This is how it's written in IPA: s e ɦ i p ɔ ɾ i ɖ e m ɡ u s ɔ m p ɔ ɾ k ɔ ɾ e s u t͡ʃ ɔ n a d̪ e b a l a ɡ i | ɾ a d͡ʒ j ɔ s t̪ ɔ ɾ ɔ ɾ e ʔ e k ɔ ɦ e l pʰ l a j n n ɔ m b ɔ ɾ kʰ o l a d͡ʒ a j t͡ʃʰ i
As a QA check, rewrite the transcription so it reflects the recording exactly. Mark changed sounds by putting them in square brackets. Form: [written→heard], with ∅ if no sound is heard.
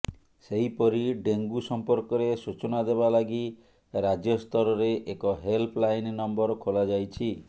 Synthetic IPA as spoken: s e ɦ i p ɔ ɾ i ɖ e [m→ŋ] ɡ u s ɔ m p ɔ ɾ k ɔ ɾ e s u t͡ʃ ɔ n a d̪ e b a l a ɡ i | ɾ a d͡ʒ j ɔ s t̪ ɔ ɾ ɔ ɾ e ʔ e k ɔ ɦ e l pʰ l a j n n ɔ m b ɔ ɾ kʰ o l a d͡ʒ a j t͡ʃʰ i